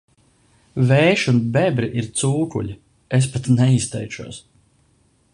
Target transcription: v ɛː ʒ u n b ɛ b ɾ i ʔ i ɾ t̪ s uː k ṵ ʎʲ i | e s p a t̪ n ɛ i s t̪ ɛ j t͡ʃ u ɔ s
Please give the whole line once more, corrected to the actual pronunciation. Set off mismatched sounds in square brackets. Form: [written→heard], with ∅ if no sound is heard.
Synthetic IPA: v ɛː [ʒ→ʃ] u n b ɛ b ɾ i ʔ i ɾ t̪ s uː k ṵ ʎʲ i | e s p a t̪ n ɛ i s t̪ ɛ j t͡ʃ u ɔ s

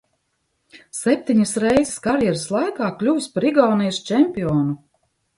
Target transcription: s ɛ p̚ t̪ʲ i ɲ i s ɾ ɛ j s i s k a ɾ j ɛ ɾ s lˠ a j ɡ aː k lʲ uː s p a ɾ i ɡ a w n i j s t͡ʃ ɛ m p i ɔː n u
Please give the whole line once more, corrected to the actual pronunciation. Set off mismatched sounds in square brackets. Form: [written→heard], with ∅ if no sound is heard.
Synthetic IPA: s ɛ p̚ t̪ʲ i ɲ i s ɾ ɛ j [s→z] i s k a ɾ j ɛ ɾ s lˠ a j [ɡ→k] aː k lʲ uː s p a ɾ i ɡ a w n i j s t͡ʃ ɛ m p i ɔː n u

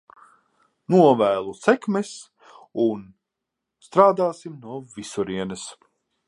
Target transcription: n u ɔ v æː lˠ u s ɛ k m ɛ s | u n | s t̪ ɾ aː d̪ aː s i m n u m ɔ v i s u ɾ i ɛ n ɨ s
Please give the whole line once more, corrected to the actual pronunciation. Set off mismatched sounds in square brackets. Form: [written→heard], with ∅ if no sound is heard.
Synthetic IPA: n u ɔ v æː lˠ u s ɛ k m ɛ s | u n | s t̪ ɾ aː d̪ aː s i m n u [m→∅] ɔ v i s u ɾ i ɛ n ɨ s

